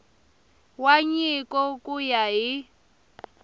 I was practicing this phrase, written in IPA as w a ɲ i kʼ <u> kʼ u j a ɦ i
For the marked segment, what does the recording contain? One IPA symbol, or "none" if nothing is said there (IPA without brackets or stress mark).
ɔ